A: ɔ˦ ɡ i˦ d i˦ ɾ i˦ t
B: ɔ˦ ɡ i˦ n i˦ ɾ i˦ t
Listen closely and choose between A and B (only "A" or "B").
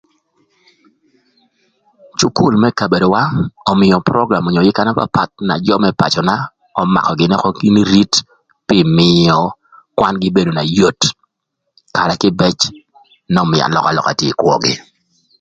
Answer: B